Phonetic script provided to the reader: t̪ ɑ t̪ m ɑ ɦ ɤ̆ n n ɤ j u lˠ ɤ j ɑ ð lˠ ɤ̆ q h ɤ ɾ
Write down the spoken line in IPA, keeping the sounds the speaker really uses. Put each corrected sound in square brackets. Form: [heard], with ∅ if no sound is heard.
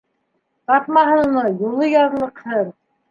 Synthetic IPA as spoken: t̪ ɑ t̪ m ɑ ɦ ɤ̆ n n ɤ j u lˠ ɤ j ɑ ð lˠ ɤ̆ q h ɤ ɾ